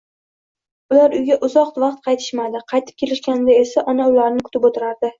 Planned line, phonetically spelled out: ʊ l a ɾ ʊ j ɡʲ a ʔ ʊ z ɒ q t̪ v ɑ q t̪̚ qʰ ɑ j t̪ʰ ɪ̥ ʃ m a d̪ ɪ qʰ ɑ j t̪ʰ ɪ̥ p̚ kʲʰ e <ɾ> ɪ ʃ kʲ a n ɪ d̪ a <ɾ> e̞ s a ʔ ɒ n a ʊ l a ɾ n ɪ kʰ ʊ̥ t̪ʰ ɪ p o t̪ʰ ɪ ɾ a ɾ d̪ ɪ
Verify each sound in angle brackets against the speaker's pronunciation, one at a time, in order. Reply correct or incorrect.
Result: incorrect: l, incorrect: none

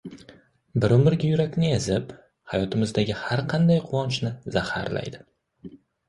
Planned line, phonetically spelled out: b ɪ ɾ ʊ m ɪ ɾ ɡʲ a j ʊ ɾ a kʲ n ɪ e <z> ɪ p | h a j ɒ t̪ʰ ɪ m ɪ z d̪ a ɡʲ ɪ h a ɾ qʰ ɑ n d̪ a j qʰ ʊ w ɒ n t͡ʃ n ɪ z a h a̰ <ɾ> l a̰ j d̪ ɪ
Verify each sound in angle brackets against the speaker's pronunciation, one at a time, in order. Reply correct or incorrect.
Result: correct, correct

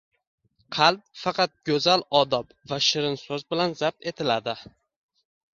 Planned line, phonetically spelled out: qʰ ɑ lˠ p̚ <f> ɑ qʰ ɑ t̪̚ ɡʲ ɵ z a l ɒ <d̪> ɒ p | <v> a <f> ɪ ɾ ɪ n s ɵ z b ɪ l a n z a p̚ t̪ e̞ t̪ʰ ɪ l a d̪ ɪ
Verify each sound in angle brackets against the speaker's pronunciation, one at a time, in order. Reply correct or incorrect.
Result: correct, correct, correct, incorrect: ʃ

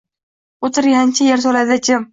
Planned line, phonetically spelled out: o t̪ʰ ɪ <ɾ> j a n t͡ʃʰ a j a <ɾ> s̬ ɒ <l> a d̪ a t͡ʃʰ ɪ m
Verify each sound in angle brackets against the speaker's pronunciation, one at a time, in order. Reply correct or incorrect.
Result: correct, correct, correct

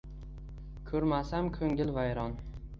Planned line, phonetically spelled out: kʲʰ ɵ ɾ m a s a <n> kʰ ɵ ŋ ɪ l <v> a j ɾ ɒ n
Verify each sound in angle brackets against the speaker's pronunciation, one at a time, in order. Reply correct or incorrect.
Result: incorrect: m, correct

